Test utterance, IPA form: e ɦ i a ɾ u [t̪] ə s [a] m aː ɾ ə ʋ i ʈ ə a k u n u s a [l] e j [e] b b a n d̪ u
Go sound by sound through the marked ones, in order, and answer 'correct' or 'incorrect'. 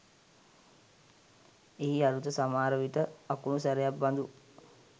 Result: correct, correct, incorrect: ɾ, incorrect: a

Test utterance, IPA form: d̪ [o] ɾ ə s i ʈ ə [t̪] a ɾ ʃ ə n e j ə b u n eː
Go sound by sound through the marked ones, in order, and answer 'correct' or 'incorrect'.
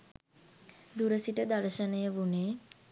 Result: incorrect: u, incorrect: d̪

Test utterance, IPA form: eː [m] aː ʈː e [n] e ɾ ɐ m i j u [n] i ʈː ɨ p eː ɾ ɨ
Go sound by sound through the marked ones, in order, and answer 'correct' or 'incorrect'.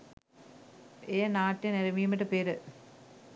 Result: incorrect: n, correct, incorrect: m

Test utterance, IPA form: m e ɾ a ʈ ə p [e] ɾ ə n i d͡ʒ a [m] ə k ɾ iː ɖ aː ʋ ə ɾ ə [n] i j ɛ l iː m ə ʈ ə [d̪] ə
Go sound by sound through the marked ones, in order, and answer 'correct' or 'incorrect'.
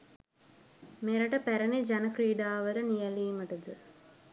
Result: incorrect: æ, incorrect: n, correct, correct

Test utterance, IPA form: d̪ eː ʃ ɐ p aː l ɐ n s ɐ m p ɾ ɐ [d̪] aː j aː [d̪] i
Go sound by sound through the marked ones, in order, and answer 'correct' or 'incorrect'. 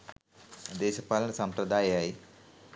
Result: correct, incorrect: none

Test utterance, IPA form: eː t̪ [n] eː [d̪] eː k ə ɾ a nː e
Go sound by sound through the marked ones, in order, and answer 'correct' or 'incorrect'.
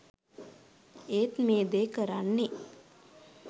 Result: incorrect: m, correct

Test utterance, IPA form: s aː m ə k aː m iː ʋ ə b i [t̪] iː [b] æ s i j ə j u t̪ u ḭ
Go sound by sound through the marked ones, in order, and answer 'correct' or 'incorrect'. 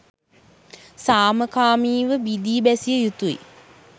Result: incorrect: d̪, correct

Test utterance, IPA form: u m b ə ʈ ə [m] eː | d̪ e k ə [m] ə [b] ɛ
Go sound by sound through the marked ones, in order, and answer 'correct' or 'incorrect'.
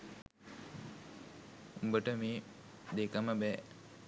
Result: correct, correct, correct

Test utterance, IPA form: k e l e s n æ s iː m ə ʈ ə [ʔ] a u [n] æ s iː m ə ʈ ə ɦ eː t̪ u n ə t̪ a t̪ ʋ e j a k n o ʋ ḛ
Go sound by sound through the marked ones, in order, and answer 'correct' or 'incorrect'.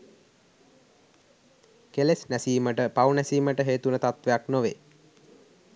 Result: incorrect: p, correct

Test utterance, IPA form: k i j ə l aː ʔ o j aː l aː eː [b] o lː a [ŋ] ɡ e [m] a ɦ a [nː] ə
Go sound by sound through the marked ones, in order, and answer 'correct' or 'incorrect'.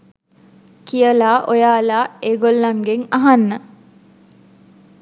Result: incorrect: ɡ, correct, incorrect: ŋ, correct

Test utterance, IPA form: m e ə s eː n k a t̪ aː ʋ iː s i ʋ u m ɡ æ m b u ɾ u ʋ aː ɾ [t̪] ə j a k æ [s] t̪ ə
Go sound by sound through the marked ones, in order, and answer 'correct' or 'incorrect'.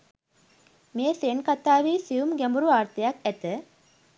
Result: correct, incorrect: none

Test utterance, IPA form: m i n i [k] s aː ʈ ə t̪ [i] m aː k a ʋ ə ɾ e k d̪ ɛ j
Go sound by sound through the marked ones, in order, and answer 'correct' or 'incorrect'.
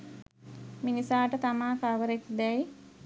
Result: incorrect: none, incorrect: a

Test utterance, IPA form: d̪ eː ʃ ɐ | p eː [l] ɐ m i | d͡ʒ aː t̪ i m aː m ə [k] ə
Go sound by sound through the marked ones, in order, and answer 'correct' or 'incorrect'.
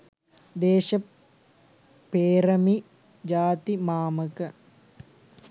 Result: incorrect: ɾ, correct

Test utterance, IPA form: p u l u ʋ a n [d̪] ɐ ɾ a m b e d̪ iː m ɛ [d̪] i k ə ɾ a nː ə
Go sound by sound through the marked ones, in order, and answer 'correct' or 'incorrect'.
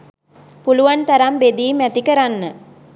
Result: incorrect: t̪, incorrect: t̪

